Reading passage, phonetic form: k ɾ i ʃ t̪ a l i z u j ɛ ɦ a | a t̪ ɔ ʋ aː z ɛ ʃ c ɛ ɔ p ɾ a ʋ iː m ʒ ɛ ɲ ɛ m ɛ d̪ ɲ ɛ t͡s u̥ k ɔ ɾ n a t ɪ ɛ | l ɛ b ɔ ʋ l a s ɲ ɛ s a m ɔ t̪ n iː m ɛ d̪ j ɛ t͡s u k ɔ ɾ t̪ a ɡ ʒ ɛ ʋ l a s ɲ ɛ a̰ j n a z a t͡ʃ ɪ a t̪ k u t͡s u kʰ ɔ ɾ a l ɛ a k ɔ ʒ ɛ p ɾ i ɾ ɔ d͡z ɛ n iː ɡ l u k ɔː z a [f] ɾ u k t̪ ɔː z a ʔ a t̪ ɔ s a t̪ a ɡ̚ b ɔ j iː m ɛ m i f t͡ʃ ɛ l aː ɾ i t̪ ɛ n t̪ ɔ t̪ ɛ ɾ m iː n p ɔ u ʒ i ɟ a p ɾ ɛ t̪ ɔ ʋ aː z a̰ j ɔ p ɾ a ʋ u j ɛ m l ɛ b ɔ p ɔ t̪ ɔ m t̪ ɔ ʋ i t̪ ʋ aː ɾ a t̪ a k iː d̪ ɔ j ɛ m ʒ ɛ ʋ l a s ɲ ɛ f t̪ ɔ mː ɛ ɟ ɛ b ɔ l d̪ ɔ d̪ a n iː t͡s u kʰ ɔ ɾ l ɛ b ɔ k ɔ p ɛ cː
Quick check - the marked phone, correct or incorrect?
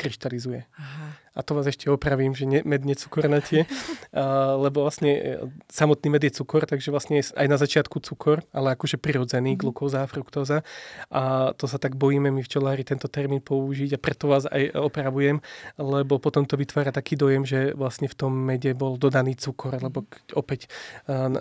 correct